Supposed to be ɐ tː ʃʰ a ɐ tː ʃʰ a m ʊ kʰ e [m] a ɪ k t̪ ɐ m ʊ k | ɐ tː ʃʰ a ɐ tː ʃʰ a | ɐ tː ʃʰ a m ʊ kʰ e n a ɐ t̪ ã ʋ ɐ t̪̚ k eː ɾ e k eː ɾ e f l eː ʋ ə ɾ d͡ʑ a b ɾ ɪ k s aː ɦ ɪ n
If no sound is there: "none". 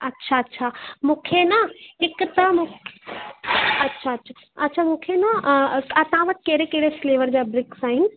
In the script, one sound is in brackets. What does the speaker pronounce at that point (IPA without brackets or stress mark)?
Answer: n